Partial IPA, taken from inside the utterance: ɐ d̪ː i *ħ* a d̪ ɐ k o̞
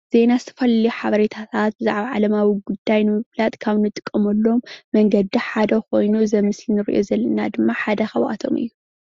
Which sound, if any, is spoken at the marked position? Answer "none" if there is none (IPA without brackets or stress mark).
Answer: ħ